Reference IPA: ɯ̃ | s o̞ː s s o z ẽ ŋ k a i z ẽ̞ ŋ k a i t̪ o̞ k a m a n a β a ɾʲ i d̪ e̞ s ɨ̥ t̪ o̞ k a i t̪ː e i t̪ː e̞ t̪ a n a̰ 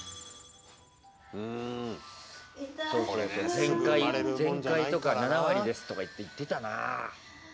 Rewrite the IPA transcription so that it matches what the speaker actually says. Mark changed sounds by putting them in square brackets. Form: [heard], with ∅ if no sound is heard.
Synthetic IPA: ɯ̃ | s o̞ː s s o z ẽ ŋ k a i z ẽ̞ ŋ k a i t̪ o̞ k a [n] a n a β a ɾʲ i d̪ e̞ s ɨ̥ t̪ o̞ k a i t̪ː e i t̪ː e̞ t̪ a n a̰